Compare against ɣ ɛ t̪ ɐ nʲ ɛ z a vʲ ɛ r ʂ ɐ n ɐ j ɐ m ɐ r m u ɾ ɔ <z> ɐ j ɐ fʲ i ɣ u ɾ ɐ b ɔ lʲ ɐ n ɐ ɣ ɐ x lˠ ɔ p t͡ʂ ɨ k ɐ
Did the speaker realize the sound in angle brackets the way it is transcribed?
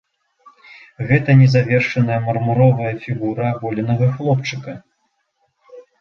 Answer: no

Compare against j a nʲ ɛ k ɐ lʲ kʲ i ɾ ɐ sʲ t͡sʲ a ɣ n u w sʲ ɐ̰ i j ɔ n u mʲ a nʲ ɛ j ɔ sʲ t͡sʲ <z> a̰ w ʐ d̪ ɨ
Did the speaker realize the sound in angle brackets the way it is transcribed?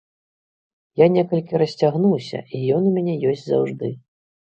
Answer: yes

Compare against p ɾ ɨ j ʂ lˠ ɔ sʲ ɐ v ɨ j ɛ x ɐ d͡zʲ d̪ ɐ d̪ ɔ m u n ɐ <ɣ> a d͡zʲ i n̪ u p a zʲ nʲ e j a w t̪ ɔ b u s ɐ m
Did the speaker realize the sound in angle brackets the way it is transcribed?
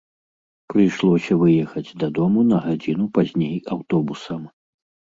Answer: yes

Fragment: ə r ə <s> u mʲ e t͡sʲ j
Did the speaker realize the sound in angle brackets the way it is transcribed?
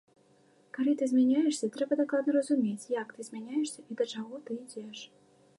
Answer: no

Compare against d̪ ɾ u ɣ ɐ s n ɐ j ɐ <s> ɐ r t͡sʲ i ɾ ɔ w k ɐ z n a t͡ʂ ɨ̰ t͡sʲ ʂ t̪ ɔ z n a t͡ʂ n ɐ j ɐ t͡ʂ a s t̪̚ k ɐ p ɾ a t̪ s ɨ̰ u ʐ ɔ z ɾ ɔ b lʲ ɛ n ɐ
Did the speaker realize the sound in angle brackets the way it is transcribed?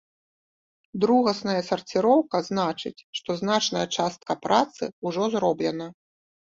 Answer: yes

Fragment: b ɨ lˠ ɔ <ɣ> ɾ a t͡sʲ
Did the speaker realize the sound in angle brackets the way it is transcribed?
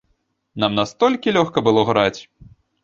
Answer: yes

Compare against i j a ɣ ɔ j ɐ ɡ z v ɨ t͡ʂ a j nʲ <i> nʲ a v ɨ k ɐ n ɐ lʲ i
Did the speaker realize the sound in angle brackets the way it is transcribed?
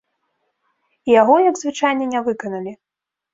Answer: no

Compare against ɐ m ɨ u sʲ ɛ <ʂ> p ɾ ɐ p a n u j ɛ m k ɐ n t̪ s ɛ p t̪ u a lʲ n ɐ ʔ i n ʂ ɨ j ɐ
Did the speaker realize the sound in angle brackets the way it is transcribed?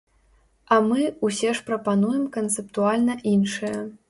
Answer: yes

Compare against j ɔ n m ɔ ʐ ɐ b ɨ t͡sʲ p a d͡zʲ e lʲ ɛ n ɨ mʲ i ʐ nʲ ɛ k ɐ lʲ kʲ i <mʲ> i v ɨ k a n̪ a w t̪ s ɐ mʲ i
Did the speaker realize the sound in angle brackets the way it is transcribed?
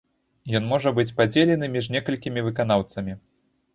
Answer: yes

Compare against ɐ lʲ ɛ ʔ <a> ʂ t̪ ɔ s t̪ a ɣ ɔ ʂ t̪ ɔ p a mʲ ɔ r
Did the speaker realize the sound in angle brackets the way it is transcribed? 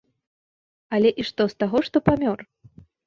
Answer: no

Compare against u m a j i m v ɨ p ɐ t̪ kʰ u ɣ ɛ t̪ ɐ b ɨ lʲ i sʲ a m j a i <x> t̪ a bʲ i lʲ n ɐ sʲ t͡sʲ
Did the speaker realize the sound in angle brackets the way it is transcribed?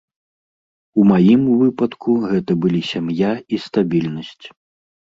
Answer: no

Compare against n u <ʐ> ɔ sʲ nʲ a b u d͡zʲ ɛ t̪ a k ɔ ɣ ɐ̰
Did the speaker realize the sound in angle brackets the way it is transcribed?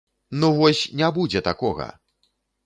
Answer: no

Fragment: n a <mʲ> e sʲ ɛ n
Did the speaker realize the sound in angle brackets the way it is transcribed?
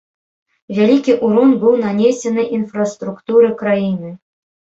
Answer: no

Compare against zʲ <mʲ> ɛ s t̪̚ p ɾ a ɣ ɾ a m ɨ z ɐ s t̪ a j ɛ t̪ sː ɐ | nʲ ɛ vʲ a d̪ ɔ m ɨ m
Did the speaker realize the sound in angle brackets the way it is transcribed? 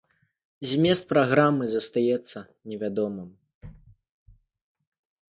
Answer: yes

